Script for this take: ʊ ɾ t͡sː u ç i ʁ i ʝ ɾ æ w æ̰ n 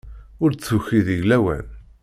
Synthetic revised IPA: ʊ ɾ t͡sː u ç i ð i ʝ l æ w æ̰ n